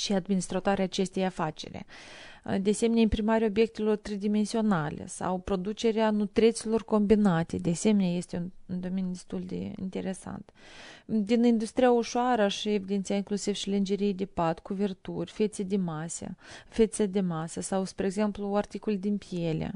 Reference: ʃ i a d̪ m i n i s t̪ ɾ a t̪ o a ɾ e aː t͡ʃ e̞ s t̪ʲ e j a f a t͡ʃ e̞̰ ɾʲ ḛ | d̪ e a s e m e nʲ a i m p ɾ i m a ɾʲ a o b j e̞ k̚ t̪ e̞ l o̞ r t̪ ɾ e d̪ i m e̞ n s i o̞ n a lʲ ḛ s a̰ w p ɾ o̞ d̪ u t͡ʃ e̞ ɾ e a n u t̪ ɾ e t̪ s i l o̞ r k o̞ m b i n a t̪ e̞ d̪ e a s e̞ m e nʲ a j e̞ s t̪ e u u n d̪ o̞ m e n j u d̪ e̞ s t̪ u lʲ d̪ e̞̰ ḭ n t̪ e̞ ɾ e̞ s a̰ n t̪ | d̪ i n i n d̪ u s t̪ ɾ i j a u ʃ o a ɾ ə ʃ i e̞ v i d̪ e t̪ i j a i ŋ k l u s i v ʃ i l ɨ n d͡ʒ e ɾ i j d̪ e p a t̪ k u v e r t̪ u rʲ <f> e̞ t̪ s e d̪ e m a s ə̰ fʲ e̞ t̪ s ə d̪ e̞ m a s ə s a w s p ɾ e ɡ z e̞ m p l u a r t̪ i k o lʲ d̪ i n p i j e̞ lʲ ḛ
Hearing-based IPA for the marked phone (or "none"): f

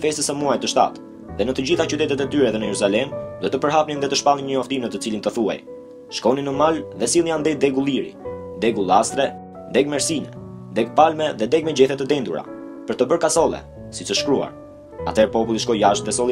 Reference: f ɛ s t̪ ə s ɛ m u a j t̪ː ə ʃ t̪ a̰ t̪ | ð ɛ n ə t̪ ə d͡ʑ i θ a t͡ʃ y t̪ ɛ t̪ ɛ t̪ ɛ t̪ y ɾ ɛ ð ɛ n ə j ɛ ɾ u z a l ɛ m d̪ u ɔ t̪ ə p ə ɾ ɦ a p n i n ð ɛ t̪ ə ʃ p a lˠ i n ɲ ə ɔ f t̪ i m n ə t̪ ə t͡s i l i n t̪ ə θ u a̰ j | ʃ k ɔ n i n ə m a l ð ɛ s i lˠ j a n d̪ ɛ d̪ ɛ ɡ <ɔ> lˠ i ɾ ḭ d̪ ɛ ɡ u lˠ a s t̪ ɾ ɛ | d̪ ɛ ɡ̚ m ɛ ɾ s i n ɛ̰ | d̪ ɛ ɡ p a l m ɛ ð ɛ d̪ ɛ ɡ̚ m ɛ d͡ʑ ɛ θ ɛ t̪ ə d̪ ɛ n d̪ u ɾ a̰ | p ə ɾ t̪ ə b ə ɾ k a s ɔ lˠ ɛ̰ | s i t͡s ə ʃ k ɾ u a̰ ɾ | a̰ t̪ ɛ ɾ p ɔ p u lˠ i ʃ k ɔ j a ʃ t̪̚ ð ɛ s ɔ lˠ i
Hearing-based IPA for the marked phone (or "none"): u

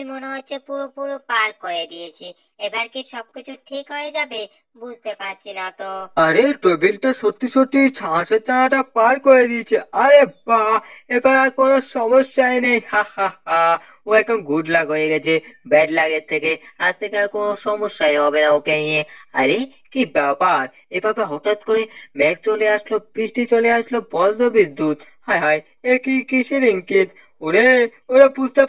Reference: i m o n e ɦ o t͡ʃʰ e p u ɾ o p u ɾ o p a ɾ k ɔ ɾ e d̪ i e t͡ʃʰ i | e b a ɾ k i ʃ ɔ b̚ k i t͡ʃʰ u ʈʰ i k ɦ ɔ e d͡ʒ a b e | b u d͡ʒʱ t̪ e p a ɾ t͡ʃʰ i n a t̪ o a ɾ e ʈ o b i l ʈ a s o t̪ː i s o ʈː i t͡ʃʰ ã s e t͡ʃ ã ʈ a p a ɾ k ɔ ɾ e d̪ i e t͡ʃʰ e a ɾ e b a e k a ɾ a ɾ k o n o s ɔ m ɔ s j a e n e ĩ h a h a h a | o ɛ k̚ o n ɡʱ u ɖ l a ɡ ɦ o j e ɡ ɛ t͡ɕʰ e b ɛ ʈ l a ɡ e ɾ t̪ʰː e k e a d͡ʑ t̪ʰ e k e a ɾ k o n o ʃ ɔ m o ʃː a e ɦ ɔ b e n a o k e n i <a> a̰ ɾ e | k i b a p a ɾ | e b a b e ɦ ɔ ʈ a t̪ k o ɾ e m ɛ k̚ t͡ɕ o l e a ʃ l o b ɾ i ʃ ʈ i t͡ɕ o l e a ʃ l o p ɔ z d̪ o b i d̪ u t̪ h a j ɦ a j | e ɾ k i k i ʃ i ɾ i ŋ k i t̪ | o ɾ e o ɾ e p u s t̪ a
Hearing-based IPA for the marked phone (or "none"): e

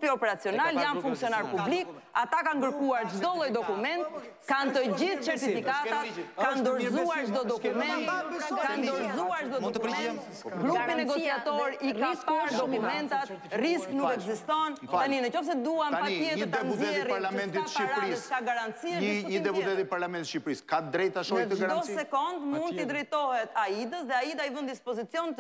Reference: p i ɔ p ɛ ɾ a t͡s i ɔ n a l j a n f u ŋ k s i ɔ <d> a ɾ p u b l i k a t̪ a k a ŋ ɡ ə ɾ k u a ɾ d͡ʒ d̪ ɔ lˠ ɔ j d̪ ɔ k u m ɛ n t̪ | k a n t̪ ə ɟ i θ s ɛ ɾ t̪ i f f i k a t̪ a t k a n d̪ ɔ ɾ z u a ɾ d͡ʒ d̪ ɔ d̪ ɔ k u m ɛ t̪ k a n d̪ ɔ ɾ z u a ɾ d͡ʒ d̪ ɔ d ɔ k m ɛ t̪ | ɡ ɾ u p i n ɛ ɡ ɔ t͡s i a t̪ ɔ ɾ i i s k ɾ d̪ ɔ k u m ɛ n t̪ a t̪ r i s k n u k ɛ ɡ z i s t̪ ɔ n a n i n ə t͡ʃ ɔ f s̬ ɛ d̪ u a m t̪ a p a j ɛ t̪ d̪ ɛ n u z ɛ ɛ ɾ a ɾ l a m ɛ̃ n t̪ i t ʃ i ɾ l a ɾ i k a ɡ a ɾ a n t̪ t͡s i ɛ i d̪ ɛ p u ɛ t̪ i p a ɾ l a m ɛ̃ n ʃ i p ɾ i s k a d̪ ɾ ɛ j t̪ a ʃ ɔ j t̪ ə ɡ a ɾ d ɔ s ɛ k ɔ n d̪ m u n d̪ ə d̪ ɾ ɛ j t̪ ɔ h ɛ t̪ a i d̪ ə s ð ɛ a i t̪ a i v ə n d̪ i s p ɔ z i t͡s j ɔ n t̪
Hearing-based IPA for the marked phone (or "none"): n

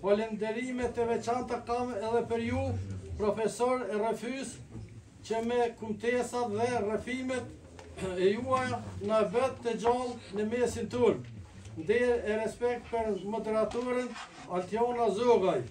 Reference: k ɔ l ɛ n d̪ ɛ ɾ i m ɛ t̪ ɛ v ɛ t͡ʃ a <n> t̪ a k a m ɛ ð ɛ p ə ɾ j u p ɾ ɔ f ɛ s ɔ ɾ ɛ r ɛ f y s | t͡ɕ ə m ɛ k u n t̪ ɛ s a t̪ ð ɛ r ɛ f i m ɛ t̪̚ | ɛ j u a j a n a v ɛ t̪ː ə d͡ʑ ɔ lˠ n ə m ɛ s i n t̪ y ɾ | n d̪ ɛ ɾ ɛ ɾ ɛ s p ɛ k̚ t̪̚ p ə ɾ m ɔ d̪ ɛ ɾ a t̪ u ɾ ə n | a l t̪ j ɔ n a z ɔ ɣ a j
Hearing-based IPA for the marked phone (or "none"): n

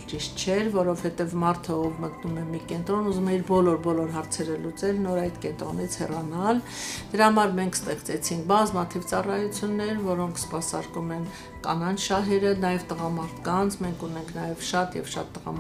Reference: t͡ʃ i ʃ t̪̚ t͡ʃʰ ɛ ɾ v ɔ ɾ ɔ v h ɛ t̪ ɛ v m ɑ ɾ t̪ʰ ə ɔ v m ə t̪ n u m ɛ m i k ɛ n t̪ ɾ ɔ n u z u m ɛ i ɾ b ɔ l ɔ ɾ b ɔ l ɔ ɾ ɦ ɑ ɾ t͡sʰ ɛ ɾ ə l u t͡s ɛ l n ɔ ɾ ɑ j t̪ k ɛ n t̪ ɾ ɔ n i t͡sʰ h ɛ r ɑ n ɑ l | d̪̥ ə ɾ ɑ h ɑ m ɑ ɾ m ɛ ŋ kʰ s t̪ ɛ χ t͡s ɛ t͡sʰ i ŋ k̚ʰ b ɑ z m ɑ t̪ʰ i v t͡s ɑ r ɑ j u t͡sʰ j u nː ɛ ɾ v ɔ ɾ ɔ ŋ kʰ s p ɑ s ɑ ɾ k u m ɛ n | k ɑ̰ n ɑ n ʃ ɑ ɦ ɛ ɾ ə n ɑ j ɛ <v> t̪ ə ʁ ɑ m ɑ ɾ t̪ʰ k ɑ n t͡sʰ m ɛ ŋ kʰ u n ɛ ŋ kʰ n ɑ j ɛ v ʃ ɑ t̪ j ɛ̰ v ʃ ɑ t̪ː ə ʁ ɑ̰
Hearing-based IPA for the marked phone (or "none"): v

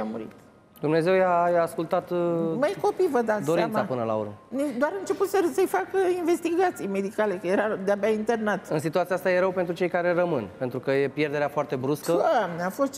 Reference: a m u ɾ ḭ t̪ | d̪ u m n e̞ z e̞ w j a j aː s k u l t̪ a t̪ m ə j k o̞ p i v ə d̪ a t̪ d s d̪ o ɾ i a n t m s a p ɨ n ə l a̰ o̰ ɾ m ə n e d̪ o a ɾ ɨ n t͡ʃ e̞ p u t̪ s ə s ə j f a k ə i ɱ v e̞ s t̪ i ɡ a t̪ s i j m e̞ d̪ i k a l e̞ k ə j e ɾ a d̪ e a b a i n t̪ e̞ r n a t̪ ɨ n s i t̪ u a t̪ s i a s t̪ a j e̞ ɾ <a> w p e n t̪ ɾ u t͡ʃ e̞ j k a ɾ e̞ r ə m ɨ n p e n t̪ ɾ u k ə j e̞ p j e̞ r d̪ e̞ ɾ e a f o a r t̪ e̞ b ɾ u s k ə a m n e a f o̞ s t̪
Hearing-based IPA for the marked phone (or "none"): ə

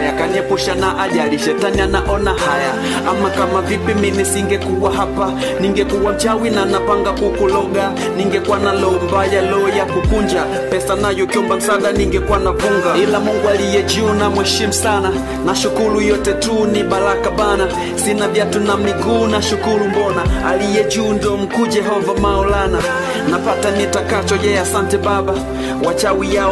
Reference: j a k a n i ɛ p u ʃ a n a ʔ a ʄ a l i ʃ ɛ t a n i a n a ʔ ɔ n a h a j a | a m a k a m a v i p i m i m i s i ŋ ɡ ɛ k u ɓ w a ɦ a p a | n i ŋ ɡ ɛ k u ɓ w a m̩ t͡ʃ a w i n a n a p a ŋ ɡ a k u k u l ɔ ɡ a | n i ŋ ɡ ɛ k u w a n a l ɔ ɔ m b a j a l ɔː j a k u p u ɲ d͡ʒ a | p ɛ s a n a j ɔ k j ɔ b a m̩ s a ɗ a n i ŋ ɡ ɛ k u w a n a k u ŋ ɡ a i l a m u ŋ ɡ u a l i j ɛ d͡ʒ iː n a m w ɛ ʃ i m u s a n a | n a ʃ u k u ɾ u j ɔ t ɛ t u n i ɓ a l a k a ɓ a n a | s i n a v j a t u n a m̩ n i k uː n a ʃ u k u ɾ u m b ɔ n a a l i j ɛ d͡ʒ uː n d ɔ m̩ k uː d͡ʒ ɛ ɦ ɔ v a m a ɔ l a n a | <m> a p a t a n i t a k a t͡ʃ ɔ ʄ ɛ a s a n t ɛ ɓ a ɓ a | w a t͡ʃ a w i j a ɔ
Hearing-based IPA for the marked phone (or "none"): n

